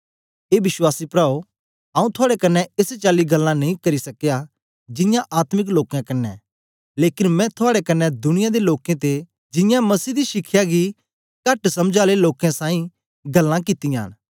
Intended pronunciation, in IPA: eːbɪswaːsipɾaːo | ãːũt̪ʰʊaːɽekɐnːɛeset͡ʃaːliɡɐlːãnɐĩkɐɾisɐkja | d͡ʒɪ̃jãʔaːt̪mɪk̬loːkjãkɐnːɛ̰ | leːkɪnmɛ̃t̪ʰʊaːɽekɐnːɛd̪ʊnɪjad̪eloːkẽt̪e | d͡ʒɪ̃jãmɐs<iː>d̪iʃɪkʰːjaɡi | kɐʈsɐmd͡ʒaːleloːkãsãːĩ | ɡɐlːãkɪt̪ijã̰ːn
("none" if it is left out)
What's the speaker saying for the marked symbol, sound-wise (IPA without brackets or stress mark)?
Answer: iː